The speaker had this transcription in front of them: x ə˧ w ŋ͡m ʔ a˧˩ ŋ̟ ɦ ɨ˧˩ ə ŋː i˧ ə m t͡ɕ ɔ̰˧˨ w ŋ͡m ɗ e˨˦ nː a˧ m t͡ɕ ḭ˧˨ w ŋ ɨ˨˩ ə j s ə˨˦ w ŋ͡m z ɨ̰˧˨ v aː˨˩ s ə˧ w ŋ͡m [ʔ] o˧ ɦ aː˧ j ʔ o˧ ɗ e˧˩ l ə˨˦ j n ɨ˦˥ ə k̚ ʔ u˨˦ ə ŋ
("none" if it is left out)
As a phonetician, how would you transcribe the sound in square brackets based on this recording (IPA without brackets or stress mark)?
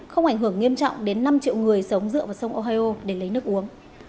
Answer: ʔ